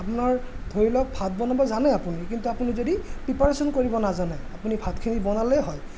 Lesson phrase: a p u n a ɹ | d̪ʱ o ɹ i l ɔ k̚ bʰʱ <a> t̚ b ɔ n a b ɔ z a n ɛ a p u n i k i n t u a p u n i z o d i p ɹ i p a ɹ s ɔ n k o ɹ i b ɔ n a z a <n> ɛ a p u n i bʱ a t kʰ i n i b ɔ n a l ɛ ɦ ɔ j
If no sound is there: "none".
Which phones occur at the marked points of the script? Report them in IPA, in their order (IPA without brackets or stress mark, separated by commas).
a, n